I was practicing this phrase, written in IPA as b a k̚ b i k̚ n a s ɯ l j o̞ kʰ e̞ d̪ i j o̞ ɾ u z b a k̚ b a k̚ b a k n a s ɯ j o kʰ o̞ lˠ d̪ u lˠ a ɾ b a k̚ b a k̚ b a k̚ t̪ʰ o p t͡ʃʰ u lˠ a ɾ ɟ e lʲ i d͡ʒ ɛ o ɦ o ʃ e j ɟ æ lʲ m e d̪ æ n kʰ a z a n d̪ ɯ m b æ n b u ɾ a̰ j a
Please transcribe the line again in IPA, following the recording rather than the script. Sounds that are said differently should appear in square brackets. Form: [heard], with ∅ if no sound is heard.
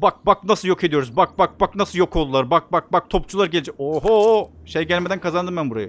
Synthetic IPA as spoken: b a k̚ b [a] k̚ n a s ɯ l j o̞ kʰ e̞ d̪ i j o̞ ɾ u z b a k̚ b a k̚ b a k n a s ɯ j o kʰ o̞ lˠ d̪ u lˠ a ɾ b a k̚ b a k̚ b a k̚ t̪ʰ o p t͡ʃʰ u lˠ a ɾ ɟ e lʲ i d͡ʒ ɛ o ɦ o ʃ e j ɟ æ lʲ m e d̪ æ n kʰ a z a n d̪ ɯ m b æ n b u ɾ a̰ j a